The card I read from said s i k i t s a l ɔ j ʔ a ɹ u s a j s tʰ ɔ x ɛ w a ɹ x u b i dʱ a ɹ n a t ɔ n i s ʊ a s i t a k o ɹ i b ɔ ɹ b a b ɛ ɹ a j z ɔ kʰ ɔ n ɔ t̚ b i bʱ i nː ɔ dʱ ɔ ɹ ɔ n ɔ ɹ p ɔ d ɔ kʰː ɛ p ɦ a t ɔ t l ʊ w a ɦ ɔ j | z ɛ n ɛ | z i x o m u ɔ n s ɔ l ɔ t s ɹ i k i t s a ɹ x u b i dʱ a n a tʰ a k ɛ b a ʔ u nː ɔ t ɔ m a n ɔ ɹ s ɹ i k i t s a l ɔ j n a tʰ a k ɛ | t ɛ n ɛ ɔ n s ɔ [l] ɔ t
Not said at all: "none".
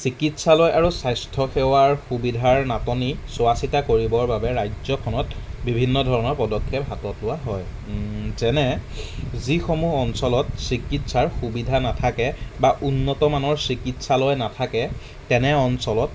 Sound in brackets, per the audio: l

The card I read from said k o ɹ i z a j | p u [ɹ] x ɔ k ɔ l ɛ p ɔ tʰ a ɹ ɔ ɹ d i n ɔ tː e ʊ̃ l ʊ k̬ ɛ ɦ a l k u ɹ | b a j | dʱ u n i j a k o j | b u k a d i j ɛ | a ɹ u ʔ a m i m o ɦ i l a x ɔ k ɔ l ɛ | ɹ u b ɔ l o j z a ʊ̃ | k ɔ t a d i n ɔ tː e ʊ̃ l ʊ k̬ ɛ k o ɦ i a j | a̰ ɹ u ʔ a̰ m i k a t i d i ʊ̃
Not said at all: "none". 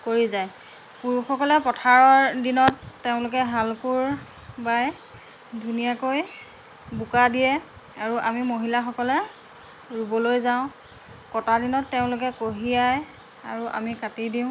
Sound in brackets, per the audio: ɹ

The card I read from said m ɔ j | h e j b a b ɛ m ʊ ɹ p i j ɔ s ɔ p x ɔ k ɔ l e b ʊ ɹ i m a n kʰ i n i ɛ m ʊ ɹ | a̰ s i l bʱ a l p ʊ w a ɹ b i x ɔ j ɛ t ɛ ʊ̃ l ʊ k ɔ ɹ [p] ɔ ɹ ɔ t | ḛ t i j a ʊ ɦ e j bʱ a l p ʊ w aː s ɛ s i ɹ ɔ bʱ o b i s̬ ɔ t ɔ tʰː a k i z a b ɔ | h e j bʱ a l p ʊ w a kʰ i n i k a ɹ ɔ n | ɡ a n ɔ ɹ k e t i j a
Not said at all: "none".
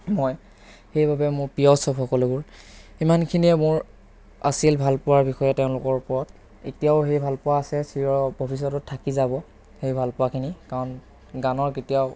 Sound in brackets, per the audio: p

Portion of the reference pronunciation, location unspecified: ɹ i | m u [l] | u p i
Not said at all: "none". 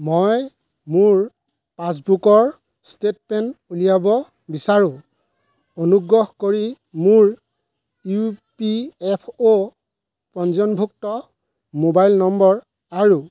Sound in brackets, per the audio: ɹ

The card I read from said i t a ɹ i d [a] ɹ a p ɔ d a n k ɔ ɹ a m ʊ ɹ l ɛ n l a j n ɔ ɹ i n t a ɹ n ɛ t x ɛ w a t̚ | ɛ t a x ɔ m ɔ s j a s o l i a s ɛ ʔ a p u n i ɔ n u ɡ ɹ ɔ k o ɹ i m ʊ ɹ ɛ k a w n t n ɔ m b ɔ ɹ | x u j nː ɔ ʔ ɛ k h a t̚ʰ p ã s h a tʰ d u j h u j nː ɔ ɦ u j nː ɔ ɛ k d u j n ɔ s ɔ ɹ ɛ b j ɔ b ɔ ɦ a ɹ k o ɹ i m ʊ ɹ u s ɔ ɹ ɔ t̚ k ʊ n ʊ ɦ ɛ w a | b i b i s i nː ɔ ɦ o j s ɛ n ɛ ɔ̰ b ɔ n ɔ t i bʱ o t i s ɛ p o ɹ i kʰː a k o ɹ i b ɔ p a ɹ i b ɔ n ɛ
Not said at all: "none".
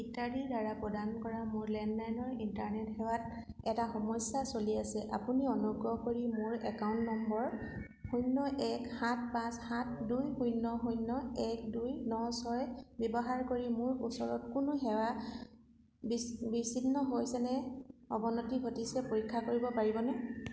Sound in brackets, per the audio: a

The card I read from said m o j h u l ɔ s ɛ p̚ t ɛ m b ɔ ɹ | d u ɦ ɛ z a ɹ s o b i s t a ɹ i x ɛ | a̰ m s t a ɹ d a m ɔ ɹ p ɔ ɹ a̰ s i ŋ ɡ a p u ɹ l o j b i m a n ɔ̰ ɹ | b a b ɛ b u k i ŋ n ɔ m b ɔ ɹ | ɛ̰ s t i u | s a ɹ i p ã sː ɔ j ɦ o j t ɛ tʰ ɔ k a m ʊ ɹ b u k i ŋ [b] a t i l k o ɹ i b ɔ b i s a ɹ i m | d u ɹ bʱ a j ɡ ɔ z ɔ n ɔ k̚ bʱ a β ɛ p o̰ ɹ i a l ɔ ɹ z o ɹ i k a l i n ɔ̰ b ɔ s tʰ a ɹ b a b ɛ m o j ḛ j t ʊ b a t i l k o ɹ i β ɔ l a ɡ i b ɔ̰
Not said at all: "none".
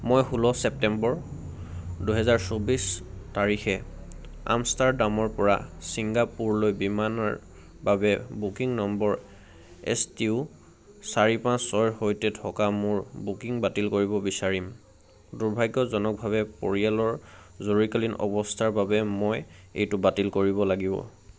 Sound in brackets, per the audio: b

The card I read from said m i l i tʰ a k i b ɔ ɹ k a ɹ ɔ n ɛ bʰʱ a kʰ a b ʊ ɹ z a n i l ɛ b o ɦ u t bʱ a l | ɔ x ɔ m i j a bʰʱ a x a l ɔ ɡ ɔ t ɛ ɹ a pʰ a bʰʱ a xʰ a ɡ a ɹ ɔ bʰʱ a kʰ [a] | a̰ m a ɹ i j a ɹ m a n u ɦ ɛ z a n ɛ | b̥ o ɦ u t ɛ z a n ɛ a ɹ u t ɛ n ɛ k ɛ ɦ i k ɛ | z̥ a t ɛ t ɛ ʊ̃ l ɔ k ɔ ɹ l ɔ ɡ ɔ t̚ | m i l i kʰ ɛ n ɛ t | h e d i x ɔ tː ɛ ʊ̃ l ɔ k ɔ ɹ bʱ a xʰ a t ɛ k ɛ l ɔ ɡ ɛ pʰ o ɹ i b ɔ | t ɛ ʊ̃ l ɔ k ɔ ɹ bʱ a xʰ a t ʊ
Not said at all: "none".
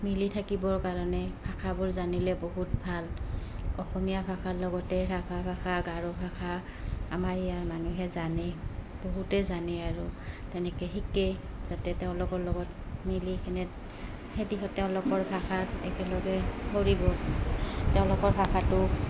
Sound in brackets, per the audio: a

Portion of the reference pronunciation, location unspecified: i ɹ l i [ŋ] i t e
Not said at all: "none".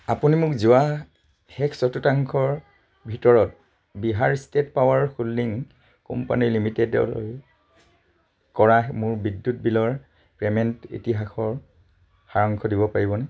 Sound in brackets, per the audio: m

